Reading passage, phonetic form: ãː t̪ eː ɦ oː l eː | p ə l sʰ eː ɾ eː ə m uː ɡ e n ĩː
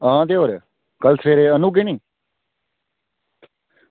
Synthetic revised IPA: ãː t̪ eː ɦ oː ɾ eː | k ə l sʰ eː ɾ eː ə n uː ɡ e n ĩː